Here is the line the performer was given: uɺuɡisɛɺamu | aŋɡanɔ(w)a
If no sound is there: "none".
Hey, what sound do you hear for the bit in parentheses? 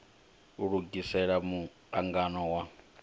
w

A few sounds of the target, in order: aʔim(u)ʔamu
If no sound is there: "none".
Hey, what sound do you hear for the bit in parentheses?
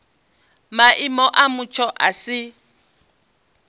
ɔ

